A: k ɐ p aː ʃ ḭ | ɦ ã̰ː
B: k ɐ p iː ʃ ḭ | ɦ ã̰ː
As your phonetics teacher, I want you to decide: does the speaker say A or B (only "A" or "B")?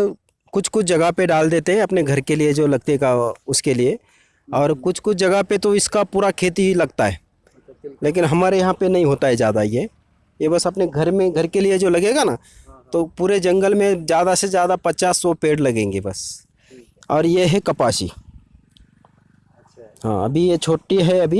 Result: A